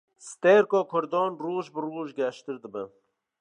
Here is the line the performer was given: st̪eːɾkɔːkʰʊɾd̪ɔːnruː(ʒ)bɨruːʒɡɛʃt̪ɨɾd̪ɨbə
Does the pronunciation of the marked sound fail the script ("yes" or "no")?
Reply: no